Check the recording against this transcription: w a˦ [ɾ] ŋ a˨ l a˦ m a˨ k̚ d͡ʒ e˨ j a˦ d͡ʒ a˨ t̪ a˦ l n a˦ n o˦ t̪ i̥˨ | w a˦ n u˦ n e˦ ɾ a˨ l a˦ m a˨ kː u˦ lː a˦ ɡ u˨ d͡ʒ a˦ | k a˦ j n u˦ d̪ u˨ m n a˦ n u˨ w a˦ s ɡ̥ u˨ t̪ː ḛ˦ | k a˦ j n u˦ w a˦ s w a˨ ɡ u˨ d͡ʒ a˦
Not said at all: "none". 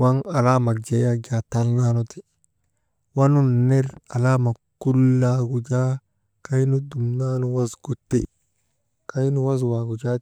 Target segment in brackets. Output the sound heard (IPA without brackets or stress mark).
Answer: none